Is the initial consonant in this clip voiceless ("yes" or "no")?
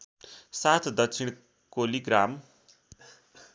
yes